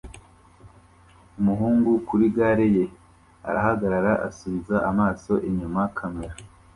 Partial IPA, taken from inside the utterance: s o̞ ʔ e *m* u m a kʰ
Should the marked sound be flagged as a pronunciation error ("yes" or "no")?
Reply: yes